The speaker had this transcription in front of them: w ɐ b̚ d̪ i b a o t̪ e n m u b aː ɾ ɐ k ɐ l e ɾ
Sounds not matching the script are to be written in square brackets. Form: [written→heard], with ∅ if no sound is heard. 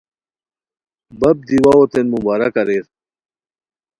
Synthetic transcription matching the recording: [w→b] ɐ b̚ d̪ i [b→w] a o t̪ e n m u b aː ɾ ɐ k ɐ [l→ɾ] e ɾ